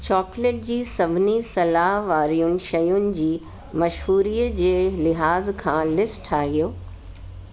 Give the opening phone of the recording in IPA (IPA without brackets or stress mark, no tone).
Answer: t͡ɕ